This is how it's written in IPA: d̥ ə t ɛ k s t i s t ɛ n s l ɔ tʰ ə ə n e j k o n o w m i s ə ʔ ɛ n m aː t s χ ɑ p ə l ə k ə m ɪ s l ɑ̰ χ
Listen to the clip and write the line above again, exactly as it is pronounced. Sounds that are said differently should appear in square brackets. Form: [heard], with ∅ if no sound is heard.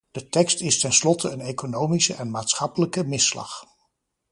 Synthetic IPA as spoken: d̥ ə t ɛ k s t [ɪ] s t ɛ n s l ɔ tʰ ə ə n e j k o n o w m i s ə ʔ ɛ n m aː t s χ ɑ p ə l ə k ə m ɪ s l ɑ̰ χ